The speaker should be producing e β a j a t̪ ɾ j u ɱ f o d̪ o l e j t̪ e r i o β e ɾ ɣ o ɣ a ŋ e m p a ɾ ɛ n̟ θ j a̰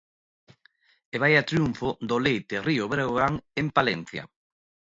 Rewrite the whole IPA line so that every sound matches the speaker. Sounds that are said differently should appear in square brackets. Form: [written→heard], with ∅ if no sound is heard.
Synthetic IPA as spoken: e β a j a t̪ ɾ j u ɱ f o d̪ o l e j t̪ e r i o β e ɾ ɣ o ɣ a ŋ e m p a [ɾ→l] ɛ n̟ θ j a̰